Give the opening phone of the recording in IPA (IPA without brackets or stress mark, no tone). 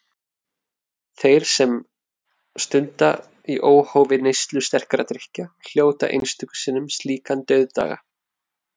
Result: θ